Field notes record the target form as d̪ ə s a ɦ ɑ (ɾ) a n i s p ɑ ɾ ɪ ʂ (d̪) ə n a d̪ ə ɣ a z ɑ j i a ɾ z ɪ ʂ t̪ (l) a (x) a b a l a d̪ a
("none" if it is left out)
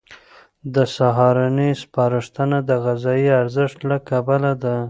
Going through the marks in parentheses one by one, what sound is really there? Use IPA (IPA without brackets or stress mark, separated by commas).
ɾ, t̪, l, k